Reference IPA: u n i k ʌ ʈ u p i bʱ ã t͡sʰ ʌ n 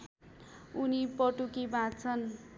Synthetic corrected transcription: u n i p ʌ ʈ u k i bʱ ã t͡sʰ ʌ n